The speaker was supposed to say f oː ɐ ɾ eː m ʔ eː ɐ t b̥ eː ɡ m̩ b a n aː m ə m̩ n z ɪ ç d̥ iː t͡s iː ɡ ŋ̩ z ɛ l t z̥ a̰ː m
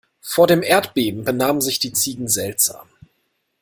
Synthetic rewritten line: f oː ɐ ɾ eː m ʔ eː ɐ t b̥ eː b m̩ b ə n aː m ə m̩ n z ɪ ç d̥ iː t͡s iː ɡ ŋ̩ z ɛ l t z̥ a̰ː m